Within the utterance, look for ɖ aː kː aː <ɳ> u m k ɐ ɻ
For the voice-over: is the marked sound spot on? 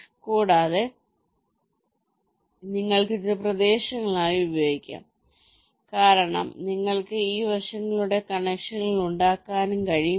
no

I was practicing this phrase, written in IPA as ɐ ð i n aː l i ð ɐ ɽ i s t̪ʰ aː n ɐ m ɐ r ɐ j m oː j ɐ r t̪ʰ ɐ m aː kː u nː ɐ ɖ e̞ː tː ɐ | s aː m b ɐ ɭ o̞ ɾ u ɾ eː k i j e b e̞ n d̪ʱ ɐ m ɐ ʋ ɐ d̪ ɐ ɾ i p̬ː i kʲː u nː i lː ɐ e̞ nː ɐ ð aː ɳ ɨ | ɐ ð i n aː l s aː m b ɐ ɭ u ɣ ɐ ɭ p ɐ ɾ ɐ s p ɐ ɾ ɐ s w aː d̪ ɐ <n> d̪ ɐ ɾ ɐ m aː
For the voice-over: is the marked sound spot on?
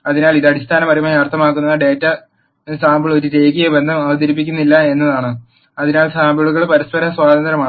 yes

